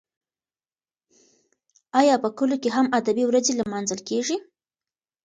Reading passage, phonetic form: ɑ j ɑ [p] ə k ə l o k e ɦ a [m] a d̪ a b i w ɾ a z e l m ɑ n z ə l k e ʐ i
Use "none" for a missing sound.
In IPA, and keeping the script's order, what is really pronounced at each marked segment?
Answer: p, m

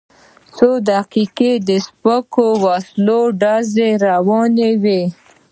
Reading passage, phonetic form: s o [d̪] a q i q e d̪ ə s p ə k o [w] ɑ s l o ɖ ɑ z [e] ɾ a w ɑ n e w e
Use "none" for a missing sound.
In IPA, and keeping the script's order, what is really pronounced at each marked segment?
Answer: d̪, w, e

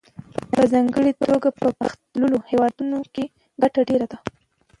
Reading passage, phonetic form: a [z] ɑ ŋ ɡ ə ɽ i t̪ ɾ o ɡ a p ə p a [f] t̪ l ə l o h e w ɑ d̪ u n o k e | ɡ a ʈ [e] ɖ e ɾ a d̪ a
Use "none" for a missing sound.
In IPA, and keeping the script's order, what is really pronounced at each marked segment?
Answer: z, x, a

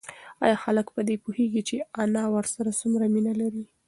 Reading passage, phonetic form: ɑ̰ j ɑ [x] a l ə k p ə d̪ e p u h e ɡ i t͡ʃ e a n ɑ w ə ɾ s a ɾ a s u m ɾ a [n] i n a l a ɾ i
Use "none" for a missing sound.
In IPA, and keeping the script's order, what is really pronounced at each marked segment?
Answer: x, m

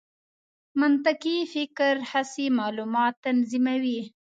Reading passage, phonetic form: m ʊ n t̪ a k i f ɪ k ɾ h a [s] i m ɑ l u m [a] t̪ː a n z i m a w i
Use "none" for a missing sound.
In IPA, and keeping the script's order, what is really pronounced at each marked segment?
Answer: s, ɑ

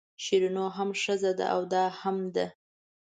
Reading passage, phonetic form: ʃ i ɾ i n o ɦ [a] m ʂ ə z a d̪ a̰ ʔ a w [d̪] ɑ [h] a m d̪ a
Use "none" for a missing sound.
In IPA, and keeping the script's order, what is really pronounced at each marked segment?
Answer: a, d̪, h

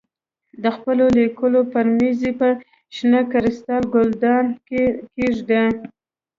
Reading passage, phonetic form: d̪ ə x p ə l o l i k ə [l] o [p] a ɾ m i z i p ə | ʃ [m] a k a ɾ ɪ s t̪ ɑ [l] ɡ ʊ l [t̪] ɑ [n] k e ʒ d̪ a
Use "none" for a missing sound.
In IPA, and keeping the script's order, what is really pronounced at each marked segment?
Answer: l, p, n, l, d̪, n

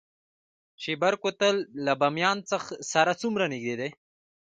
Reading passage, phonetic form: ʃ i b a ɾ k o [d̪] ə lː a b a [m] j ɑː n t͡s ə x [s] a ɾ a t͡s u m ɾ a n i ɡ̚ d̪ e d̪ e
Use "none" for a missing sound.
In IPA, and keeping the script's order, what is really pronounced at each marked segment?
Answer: t̪, m, s

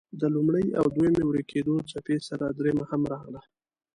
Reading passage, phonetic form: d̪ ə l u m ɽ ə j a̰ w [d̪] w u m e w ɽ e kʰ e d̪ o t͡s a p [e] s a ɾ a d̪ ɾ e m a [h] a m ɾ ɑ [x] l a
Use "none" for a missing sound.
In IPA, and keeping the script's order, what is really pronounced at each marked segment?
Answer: d̪, e, h, ɣ

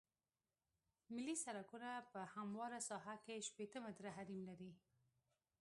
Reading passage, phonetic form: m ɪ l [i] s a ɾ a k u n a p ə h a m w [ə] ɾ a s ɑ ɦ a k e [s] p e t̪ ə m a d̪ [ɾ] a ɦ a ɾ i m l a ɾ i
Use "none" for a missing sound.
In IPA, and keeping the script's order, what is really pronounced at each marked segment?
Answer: i, ɑ, ʃ, ɾ

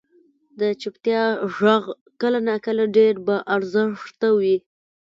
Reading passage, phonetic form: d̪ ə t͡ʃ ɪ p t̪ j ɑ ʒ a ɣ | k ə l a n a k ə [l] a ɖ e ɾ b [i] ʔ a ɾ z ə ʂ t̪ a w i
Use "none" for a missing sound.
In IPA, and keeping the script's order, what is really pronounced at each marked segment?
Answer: l, a

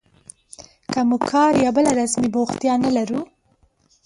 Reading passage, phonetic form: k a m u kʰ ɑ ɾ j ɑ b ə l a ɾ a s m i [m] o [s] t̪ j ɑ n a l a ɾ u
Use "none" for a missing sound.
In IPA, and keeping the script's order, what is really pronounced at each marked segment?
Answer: b, x

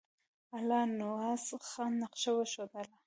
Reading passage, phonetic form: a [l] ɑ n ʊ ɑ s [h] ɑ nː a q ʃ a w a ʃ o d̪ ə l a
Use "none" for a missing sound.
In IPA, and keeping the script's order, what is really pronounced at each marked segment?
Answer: l, x

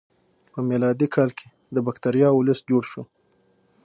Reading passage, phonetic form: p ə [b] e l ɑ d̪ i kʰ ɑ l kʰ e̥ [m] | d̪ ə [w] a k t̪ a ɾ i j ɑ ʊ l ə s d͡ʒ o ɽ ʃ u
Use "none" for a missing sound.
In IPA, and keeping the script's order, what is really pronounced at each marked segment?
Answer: m, none, b

